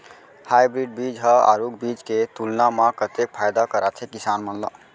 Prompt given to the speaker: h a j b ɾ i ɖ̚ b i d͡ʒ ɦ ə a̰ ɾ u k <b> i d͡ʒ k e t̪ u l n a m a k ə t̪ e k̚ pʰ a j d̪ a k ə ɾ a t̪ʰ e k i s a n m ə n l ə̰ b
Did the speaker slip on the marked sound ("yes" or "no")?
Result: no